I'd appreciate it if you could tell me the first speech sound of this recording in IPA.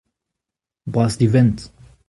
b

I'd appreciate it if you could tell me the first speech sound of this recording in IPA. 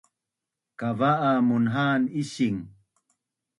k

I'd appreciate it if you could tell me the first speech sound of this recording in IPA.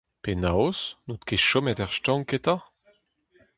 p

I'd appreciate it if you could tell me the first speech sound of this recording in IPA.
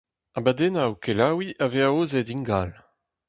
a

